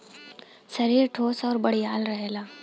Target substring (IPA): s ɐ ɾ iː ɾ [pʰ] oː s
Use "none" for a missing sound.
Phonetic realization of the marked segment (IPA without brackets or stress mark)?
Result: ʈʰ